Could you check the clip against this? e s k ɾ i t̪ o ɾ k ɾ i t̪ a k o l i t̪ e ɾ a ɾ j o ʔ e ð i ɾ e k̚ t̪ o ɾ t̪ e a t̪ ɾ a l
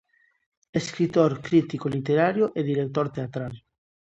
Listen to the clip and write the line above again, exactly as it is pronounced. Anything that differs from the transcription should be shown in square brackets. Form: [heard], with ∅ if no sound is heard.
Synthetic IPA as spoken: e s k ɾ i t̪ o ɾ k ɾ i t̪ [i] k o l i t̪ e ɾ a ɾ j o ʔ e ð i ɾ e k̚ t̪ o ɾ t̪ e a t̪ ɾ a l